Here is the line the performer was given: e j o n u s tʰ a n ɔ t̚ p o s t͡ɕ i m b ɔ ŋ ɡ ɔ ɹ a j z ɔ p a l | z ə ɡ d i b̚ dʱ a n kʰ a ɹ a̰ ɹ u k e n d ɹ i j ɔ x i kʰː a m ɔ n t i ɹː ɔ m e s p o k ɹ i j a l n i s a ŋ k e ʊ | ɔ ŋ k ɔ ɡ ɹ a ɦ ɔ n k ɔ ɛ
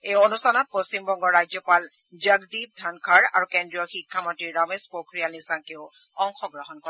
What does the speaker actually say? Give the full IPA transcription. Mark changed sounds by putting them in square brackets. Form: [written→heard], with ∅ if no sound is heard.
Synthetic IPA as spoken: e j o n u s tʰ a n ɔ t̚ p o s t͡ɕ i m b ɔ ŋ ɡ ɔ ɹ a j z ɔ p a l | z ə ɡ d i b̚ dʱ a n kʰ a ɹ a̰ ɹ u k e n d ɹ i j ɔ x i kʰː a m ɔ n t i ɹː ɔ m e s p o k ɹ i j a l n i s a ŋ k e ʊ | ɔ ŋ [k→x] ɔ ɡ ɹ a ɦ ɔ n k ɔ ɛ